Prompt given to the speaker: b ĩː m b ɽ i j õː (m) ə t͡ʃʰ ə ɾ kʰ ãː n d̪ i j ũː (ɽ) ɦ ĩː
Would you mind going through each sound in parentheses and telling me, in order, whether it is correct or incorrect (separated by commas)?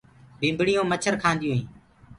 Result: correct, incorrect